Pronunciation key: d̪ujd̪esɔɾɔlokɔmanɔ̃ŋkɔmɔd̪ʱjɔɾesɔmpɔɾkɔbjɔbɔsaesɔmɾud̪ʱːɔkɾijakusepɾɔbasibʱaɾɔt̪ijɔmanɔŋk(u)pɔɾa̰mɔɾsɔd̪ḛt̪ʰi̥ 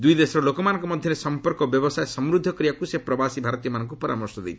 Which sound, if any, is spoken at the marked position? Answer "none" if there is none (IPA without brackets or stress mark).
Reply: u